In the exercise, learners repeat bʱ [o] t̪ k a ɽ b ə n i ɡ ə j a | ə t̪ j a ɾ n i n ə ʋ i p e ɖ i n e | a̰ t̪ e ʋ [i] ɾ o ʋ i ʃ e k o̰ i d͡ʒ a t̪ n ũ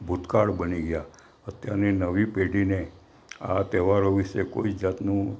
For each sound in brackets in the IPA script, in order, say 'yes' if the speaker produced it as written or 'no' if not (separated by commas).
no, no